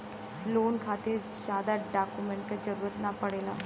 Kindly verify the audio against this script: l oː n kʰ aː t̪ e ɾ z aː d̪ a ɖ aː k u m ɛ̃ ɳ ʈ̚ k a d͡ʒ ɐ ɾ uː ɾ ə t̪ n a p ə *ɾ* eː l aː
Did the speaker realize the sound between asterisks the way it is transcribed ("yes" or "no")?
no